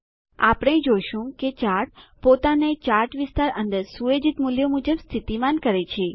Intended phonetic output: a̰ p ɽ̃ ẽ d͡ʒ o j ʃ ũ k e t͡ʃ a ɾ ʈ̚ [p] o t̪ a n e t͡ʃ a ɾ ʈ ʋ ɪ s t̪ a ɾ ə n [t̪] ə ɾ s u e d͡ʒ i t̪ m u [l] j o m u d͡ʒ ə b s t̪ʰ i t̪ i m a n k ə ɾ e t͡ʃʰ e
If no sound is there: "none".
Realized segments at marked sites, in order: p, d̪, l

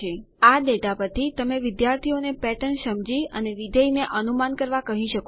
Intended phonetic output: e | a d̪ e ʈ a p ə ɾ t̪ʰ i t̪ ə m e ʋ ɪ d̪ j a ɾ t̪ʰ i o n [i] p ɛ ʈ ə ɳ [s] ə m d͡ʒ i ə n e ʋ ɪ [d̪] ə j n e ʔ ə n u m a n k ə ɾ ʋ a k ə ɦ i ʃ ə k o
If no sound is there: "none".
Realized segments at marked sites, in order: e, ʃ, d̪

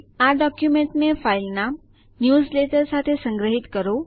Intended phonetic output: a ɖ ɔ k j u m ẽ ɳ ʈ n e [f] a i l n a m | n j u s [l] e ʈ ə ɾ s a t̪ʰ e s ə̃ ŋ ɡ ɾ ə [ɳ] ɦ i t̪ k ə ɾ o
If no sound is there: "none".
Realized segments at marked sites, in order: f, l, none

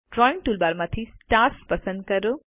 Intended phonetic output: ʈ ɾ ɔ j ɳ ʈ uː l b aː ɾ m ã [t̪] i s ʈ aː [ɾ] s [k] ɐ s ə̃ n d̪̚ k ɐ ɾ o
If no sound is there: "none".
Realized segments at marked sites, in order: t̪ʰ, ɾ, p

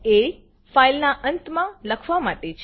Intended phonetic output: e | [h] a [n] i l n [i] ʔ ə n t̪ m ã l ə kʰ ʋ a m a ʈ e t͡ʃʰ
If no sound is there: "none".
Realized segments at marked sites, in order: f, none, a

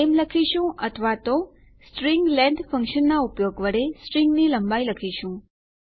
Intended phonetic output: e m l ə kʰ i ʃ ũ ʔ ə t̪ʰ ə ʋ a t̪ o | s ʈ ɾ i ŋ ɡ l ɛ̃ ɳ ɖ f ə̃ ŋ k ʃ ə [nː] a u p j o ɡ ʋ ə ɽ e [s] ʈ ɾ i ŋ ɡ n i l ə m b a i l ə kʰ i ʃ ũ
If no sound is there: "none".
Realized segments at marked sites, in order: nː, s

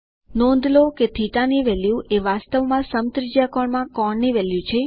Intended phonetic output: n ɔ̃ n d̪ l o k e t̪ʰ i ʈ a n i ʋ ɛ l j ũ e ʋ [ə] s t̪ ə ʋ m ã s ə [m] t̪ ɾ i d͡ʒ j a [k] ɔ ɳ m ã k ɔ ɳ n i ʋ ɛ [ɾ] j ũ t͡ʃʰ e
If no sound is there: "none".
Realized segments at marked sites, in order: a, m, k, l

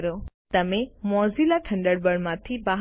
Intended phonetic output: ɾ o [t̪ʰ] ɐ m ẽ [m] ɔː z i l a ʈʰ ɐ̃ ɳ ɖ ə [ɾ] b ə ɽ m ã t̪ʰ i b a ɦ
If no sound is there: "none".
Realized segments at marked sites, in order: t̪, m, ɽ

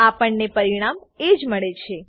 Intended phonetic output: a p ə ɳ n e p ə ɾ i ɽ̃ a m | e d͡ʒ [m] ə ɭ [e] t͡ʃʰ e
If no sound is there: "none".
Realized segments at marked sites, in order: m, e

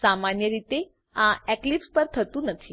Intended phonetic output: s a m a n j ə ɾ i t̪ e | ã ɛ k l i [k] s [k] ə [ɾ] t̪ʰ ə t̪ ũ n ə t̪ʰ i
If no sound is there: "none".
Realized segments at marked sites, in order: p, p, ɾ

